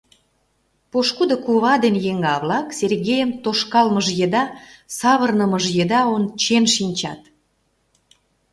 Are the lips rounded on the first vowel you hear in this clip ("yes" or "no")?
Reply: yes